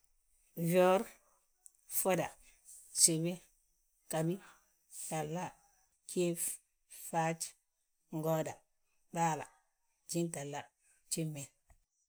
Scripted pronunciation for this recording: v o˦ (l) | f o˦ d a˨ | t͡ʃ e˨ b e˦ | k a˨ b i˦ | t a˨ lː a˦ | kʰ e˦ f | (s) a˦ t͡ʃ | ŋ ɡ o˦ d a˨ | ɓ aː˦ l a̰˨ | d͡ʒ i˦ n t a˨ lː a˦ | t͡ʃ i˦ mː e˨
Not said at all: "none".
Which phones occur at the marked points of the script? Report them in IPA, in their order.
ɾ, f

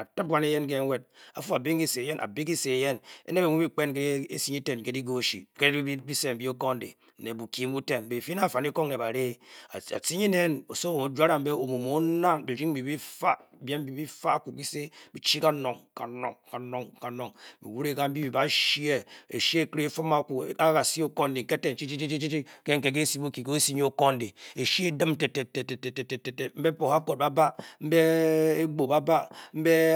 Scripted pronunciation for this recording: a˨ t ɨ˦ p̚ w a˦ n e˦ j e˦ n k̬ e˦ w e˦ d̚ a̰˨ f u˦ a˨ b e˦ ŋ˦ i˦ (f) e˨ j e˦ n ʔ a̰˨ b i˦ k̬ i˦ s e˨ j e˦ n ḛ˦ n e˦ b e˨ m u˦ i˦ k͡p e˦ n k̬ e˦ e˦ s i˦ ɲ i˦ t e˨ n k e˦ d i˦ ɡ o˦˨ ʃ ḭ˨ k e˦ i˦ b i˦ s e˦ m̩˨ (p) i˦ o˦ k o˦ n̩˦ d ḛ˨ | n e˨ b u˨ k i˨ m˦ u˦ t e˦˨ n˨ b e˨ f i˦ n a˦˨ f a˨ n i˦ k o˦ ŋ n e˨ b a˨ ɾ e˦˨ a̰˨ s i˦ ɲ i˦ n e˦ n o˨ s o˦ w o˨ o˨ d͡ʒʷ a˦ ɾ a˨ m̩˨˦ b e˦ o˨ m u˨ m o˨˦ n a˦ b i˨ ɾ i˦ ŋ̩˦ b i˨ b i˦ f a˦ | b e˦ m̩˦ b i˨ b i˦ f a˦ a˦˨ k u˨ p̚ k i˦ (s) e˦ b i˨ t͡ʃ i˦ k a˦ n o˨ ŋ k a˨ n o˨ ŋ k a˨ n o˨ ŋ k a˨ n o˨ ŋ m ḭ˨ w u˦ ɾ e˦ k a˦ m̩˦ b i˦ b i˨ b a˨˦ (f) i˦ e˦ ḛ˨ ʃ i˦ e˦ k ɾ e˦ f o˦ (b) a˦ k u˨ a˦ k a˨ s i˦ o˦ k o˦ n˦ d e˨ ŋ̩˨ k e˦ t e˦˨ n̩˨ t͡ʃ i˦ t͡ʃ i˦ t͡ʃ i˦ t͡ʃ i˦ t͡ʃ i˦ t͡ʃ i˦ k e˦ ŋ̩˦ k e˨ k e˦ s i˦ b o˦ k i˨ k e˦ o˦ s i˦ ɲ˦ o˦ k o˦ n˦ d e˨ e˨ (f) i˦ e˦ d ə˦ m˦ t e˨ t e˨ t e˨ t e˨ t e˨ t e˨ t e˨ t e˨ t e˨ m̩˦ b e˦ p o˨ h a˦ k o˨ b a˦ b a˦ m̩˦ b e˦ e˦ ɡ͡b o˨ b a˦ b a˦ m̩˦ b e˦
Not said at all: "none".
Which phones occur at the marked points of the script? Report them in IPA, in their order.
s, b, s, ʃ, m, ʃ

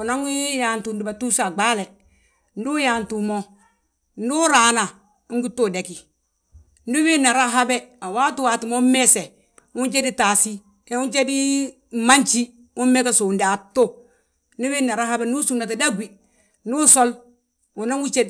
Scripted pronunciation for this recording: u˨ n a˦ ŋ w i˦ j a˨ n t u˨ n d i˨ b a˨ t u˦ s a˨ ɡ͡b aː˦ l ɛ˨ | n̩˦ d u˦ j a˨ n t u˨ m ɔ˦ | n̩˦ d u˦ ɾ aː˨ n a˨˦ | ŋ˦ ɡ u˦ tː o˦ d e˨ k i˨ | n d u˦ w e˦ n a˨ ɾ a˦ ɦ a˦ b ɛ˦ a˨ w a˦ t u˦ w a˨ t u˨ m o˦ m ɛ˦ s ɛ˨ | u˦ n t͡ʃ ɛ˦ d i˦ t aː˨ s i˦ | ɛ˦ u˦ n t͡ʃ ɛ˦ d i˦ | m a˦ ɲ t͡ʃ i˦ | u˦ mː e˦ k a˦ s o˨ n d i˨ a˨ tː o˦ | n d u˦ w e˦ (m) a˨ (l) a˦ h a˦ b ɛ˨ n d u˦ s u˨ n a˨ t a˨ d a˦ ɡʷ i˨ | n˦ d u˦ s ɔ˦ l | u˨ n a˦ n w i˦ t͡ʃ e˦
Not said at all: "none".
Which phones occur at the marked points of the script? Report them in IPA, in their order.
n, ɾ

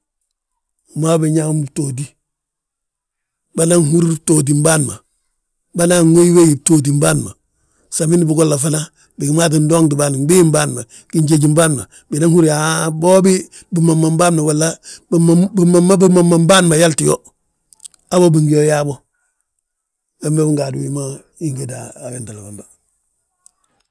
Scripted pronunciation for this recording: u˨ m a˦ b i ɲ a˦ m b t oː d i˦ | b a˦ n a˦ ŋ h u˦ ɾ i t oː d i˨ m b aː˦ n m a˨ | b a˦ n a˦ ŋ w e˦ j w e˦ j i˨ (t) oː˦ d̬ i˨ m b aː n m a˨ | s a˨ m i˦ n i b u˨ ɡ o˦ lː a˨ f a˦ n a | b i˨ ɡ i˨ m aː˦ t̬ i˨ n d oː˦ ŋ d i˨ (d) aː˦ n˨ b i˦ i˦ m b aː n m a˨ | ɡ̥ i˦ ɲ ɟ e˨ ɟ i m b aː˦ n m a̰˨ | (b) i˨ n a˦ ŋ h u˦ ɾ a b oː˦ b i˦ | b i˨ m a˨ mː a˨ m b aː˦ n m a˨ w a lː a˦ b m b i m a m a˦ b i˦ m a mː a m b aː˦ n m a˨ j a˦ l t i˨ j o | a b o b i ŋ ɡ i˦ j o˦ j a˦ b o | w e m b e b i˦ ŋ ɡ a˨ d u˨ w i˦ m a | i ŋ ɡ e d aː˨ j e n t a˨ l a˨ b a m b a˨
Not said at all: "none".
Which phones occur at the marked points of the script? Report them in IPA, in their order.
t, b, b

